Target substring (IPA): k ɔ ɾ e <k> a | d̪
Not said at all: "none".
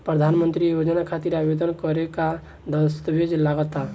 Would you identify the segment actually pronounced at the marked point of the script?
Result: k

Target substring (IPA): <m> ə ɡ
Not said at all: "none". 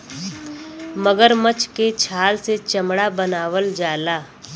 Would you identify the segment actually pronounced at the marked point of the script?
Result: m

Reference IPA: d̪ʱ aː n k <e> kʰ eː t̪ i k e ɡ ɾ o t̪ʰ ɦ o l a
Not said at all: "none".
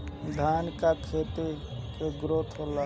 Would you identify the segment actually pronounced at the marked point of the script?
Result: a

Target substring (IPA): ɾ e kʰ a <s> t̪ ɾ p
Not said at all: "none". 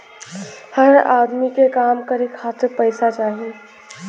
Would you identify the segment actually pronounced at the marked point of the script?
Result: none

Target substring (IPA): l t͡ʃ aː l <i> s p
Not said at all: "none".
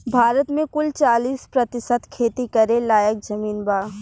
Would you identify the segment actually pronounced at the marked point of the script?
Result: iː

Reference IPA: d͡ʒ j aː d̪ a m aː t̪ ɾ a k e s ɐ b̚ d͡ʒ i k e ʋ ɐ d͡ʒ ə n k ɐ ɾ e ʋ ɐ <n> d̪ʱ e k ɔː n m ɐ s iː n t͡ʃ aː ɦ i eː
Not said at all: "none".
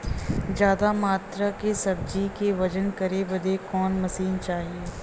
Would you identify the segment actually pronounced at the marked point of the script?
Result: none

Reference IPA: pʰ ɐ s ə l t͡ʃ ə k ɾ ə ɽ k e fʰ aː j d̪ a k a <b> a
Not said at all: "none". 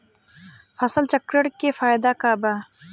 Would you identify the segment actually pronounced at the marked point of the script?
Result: b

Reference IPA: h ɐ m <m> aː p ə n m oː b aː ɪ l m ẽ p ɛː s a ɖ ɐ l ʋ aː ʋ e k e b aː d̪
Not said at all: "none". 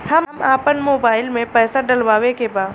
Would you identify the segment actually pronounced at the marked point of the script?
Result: m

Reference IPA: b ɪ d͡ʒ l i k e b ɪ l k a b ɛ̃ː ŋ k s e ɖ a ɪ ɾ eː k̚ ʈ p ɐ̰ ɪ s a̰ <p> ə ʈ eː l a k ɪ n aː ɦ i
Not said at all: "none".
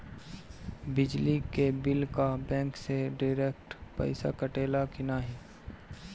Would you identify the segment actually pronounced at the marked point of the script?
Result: k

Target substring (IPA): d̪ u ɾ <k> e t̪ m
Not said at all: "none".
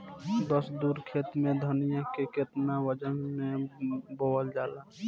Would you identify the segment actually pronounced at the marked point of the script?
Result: kʰ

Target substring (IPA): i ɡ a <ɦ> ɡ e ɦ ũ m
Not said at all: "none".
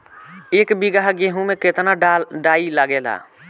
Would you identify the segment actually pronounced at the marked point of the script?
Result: ɦ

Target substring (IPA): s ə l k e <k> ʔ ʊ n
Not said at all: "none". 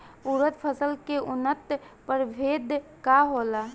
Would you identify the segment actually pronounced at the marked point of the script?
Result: none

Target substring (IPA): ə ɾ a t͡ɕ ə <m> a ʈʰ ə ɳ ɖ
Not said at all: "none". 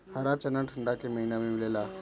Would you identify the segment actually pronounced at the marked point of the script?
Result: n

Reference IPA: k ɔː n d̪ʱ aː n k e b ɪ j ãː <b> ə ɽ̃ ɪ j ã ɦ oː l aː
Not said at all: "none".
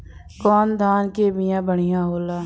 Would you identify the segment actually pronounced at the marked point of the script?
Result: b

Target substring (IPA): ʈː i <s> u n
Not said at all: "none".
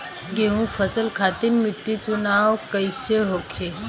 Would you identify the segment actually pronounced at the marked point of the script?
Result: t͡s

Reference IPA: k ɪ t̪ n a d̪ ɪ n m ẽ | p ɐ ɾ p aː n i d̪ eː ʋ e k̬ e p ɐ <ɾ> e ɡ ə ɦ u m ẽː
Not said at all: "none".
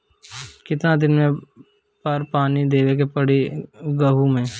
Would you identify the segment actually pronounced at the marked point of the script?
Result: ɽ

